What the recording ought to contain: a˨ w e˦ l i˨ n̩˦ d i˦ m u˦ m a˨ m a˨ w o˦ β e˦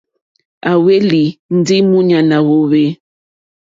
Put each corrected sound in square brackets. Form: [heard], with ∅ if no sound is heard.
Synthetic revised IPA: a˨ w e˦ l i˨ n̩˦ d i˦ m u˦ [ɲ] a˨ [n] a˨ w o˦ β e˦